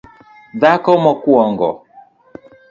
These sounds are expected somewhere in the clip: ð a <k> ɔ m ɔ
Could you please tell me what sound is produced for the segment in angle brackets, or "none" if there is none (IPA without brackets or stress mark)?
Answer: k